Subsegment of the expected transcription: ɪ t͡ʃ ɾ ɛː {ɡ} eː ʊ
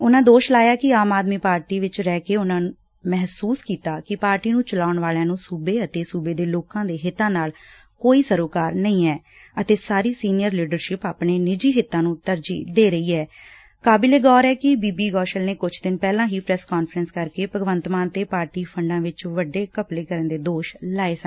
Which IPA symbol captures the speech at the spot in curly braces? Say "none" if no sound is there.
k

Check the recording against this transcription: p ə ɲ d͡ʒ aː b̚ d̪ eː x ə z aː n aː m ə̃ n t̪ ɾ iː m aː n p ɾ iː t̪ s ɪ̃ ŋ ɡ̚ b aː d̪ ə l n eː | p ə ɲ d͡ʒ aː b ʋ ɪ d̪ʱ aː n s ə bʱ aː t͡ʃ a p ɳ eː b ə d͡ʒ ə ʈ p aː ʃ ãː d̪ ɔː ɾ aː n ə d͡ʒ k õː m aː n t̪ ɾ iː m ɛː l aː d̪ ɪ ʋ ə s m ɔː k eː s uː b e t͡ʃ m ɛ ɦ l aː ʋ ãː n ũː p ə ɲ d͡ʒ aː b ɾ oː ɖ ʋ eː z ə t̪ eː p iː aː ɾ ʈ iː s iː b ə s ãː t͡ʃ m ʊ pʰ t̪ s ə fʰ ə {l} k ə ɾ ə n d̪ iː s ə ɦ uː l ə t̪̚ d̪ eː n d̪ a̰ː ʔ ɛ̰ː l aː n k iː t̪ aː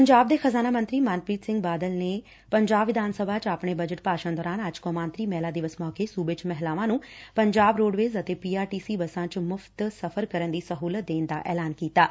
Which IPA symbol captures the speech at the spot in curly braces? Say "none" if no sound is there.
ɾ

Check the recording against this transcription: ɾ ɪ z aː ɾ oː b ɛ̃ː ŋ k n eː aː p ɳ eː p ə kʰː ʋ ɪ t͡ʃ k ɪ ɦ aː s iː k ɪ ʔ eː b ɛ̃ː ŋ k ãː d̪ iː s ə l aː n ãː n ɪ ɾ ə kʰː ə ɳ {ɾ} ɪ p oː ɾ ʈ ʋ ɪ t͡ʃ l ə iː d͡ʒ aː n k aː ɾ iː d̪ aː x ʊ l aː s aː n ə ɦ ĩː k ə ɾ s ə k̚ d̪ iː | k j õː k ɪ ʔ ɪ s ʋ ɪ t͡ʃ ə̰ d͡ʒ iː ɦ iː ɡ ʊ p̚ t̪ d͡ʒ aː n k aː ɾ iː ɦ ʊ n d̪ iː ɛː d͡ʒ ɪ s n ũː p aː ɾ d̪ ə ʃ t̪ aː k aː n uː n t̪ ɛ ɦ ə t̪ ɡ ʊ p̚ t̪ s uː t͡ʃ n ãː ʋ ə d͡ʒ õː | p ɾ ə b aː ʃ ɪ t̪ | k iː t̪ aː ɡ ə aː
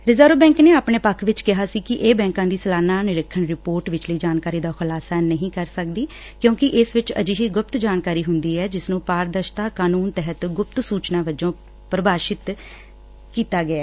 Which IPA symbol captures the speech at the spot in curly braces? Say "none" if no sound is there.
ɾ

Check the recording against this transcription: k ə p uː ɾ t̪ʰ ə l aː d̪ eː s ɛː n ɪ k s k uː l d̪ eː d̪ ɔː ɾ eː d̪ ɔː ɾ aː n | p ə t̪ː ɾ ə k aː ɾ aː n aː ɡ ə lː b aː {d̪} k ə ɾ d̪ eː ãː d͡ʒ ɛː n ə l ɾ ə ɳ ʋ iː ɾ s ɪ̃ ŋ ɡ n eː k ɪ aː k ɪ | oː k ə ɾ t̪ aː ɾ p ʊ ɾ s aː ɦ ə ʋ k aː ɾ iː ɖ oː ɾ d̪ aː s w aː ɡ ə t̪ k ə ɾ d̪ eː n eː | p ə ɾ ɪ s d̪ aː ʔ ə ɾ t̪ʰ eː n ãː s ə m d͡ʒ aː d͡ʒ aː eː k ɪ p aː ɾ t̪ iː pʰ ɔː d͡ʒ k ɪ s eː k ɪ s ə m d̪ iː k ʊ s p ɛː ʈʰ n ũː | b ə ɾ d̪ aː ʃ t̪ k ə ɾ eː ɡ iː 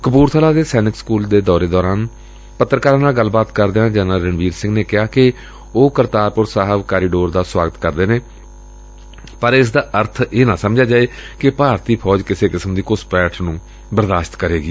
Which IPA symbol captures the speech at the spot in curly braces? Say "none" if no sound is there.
t̪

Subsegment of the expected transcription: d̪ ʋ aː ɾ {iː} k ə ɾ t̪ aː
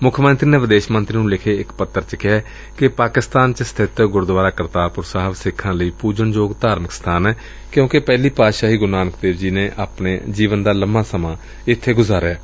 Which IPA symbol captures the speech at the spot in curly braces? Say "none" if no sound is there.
aː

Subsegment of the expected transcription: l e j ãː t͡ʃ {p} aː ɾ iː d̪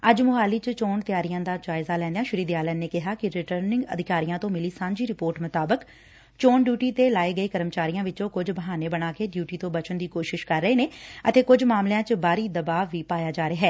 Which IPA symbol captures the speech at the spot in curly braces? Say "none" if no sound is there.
b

